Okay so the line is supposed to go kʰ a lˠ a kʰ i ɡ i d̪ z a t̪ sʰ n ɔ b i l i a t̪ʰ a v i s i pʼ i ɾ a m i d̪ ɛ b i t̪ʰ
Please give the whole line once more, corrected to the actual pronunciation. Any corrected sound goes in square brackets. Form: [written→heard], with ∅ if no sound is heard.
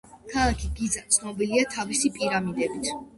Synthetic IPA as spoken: kʰ a lˠ a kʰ i ɡ i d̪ z a t̪ sʰ n ɔ b i l i a t̪ʰ a v i s i pʼ i ɾ a m i d̪ ɛ b i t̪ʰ